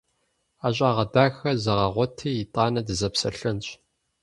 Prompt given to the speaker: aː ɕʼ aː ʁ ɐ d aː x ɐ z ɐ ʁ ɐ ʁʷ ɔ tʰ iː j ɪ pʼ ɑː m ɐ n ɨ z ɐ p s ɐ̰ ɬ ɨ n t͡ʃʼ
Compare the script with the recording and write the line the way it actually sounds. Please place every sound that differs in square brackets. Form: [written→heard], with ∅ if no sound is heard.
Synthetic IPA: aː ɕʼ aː ʁ ɐ d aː x ɐ z ɐ ʁ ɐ ʁʷ ɔ tʰ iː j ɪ [pʼ→tʼ] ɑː [m→n] ɐ [n→d] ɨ z ɐ p s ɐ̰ ɬ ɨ n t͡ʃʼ